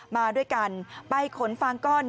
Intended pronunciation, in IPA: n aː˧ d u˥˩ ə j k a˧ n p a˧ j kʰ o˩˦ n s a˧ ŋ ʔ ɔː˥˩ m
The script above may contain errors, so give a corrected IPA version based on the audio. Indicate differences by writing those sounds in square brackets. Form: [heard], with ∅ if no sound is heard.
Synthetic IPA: [m] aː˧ d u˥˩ ə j k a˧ n p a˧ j kʰ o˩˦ n [f] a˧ ŋ [k] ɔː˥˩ [n]